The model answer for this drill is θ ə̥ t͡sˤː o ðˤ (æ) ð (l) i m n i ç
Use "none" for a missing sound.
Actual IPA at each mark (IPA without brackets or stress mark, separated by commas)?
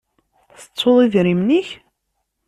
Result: i, ɾ